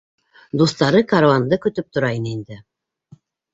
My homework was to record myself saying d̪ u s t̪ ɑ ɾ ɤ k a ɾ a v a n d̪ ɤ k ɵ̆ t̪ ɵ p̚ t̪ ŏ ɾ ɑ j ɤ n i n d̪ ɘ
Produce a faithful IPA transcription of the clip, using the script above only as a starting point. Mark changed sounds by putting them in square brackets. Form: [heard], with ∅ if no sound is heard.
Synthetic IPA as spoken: d̪ u s t̪ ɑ ɾ ɤ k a ɾ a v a n d̪ ɤ k ɵ̆ t̪ ɵ p̚ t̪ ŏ ɾ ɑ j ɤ n i n d̪ ɘ